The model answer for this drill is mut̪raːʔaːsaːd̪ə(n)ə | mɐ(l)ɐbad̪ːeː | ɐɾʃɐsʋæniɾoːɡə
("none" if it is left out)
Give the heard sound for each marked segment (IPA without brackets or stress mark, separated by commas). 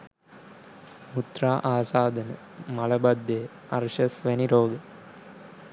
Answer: n, l